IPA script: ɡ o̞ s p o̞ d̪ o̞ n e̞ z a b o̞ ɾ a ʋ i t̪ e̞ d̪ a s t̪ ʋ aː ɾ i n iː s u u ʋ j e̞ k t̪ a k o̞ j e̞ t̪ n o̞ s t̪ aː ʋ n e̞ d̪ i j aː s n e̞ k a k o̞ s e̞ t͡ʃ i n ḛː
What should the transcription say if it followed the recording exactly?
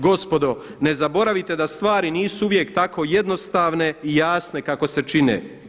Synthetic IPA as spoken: ɡ o̞ s p o̞ d̪ o̞ n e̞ z a b o̞ ɾ a ʋ i t̪ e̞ d̪ a s t̪ ʋ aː ɾ i n iː s u u ʋ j e̞ k t̪ a k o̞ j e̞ d̪ n o̞ s t̪ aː ʋ n e̞ i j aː s n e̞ k a k o̞ s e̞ t͡ʃ i n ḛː